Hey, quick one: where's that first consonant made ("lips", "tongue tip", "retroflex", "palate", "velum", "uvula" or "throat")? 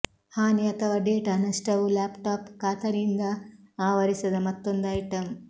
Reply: throat